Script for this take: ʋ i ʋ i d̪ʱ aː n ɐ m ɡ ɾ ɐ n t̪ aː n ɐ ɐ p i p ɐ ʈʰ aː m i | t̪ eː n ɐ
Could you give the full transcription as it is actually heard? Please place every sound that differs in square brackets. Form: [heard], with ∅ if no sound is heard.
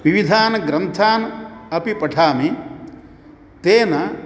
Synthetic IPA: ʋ i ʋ i d̪ʱ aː n ɐ [∅] ɡ ɾ ɐ n [t̪ʰ] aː n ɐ ɐ p i p ɐ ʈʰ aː m i | t̪ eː n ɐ